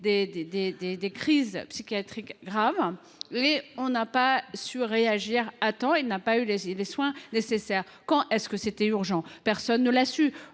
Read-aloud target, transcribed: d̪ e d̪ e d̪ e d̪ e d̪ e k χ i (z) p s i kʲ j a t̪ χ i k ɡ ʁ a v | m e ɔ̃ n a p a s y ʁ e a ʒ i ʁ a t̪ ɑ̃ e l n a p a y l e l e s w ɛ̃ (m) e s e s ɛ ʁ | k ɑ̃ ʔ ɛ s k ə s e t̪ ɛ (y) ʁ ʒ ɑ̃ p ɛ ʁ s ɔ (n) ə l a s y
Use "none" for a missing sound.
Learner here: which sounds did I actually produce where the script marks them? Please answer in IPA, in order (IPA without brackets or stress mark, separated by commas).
z, n, y, nː